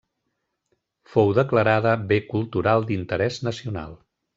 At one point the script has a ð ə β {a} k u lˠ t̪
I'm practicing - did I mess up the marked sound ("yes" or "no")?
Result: yes